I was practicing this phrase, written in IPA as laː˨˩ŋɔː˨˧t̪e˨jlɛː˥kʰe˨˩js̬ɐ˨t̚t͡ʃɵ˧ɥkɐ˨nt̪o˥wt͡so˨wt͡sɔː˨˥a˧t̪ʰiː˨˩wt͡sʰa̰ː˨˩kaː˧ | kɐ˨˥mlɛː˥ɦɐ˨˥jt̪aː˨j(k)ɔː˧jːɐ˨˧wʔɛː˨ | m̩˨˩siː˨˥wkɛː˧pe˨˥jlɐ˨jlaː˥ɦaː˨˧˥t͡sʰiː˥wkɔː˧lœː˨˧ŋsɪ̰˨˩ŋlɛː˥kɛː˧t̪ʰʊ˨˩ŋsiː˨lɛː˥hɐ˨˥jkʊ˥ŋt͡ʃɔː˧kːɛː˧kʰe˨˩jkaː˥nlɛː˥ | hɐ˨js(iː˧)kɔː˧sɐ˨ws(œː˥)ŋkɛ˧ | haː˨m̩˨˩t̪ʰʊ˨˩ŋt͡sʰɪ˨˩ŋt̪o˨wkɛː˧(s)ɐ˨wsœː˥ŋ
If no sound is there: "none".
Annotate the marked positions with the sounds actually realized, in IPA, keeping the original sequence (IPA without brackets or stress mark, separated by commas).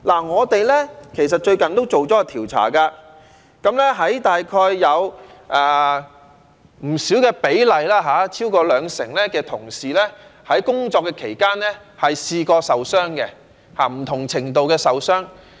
kʰ, iː˧, œː˥, s